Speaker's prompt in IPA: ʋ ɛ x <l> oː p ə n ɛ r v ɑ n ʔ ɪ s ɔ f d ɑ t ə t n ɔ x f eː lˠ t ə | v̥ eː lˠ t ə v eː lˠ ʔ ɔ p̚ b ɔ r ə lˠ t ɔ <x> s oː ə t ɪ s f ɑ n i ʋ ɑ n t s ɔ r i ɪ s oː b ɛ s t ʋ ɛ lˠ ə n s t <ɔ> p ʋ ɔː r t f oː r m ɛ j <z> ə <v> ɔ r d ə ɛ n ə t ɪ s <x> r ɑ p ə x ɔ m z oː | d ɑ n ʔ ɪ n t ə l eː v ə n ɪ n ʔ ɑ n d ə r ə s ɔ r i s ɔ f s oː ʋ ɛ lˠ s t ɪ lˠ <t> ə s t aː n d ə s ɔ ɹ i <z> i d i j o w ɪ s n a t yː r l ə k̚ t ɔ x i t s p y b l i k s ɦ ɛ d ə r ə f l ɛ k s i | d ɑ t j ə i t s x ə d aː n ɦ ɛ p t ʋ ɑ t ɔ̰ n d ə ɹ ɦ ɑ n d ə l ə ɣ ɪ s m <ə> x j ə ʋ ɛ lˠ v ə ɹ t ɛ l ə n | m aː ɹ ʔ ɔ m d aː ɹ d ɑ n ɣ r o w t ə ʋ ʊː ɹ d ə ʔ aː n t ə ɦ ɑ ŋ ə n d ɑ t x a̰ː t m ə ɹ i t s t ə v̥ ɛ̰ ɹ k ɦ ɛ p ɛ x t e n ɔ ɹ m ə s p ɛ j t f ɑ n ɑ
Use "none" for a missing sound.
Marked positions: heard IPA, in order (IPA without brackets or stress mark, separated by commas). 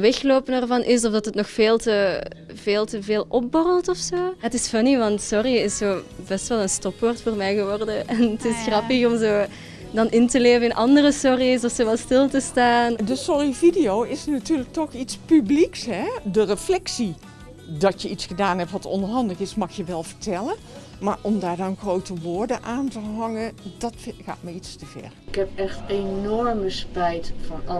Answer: l, f, ɔ, ɣ, ʋ, x, t, v, ɑ